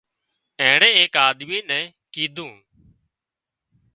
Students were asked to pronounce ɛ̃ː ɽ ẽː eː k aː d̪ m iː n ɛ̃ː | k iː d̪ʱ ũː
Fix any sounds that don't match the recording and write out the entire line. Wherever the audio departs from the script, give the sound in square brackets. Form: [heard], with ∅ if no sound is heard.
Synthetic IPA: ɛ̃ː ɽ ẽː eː k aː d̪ m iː n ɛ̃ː | k iː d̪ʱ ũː